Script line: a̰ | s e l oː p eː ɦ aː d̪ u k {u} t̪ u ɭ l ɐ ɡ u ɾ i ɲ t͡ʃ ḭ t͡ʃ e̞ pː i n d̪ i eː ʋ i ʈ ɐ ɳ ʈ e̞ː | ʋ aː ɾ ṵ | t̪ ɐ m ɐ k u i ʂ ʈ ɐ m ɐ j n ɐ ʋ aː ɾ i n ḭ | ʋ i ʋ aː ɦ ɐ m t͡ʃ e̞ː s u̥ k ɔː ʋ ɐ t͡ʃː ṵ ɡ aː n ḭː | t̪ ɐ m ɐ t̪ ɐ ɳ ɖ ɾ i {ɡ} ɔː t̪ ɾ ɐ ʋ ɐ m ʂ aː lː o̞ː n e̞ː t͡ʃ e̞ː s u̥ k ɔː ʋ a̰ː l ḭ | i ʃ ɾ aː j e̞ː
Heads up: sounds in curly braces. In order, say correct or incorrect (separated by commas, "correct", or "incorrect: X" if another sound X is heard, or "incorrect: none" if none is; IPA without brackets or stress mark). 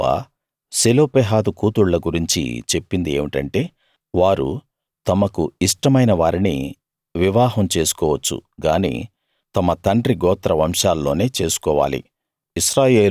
incorrect: uː, correct